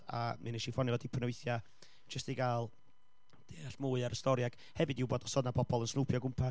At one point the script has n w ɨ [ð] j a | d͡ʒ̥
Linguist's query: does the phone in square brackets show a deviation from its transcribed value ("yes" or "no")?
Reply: yes